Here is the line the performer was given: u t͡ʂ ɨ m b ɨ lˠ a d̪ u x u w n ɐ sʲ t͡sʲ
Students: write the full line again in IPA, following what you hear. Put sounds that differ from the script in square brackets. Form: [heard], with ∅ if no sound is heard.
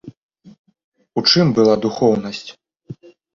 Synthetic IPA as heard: u t͡ʂ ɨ m b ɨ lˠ a d̪ u x [ɔ] w n ɐ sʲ t͡sʲ